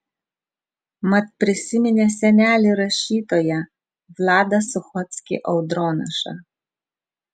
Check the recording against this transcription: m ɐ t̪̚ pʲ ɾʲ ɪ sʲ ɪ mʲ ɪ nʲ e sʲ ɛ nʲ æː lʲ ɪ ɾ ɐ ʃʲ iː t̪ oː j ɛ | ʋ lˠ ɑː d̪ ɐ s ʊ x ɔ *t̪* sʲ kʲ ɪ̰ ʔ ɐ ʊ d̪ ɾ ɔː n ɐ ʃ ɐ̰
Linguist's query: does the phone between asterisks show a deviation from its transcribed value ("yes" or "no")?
no